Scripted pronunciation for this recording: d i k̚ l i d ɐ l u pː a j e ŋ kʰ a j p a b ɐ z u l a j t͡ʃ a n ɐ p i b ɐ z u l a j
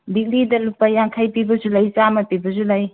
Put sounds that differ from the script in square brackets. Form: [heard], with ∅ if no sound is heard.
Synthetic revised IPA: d i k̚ l i d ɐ l u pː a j [a] ŋ kʰ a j p [i] b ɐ z u l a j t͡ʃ a [m] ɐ p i b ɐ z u l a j